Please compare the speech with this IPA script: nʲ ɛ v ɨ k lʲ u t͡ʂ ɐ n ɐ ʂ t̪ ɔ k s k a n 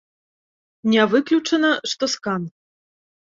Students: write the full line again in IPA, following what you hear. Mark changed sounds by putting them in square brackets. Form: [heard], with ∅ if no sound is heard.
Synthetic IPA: nʲ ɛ v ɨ k lʲ u t͡ʂ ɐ n ɐ ʂ t̪ ɔ [∅] s k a n